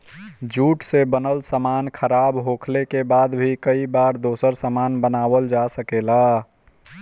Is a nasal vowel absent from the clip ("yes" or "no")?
yes